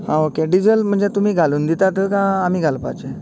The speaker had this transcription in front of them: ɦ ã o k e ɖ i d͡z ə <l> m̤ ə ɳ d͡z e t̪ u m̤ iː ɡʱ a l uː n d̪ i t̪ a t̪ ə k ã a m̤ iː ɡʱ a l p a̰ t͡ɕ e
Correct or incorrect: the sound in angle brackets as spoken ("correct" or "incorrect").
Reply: correct